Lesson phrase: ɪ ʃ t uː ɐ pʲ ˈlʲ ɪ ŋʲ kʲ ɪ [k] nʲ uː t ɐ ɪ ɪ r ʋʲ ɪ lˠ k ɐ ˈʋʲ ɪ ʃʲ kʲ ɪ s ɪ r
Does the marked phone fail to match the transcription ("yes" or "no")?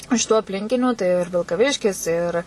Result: yes